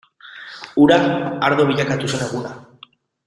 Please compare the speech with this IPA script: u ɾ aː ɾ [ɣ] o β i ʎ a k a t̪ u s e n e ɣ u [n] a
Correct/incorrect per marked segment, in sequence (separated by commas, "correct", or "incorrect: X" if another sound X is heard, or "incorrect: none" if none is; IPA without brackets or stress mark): incorrect: ð, correct